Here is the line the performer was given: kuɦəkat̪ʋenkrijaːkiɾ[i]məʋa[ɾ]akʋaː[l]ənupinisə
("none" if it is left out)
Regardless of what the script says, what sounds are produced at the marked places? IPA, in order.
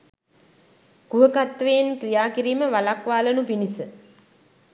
iː, l, l

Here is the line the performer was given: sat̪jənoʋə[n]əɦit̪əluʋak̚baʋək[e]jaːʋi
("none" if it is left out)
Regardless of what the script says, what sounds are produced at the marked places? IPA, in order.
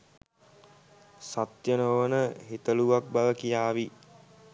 n, i

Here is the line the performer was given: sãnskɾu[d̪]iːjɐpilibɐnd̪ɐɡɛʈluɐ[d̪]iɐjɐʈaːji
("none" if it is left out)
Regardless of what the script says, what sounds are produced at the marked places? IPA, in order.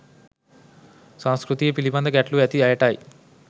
t̪, t̪

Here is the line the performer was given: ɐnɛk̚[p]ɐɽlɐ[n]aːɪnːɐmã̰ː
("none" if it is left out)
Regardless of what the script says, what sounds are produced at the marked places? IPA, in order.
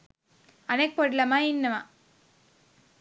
p, m

